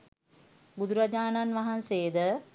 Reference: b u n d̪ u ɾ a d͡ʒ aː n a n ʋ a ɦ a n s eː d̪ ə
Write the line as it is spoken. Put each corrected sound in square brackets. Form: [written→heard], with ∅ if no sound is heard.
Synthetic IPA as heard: b u [n→∅] d̪ u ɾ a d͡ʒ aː n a n ʋ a ɦ a n s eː d̪ ə